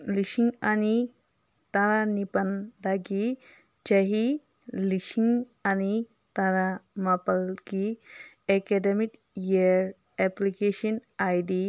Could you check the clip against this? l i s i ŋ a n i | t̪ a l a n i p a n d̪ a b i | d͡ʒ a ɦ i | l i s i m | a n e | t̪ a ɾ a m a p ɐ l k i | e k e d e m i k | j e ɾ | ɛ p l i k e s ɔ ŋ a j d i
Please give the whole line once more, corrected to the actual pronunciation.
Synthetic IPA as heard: l i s i ŋ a n i | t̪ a ɾ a n i p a n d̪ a ɡ i | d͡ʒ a ɦ i | l i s i ŋ | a n i | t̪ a ɾ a m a p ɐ l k i | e k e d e m i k | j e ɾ | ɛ p l i k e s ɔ n a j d i